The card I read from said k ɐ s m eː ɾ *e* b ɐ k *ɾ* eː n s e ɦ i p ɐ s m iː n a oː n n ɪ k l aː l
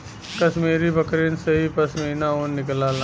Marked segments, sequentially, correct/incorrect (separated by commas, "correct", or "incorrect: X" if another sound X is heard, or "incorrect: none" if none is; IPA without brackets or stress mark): incorrect: i, correct